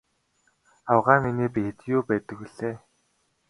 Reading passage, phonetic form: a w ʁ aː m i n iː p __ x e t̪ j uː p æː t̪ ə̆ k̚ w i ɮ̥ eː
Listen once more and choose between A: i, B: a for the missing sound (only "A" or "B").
A